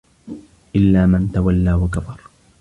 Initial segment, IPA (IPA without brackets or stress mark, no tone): ʔ